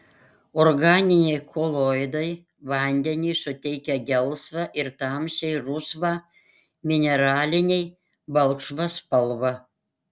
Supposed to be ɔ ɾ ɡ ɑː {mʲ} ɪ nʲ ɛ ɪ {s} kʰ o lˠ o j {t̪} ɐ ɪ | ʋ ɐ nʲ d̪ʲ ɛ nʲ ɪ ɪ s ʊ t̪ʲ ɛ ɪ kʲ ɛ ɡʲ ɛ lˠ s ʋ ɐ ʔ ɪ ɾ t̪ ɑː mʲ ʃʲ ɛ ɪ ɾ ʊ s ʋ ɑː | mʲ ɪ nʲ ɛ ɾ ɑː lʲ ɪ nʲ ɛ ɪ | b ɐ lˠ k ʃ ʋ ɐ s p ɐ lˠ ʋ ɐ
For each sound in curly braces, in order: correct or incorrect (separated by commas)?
incorrect, incorrect, incorrect